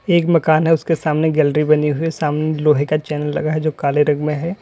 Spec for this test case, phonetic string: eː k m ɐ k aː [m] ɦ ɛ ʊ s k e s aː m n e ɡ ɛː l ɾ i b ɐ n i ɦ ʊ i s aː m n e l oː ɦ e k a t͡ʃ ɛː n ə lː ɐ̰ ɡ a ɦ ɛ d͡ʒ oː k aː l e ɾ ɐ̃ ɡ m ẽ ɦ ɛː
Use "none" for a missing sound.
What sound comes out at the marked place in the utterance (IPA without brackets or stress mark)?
n